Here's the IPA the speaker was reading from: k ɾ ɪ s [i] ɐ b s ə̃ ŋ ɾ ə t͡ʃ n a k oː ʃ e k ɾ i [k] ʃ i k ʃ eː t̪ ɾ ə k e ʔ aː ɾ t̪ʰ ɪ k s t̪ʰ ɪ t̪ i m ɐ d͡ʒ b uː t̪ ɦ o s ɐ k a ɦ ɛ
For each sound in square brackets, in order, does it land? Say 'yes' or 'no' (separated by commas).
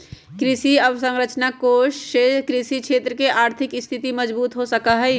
yes, no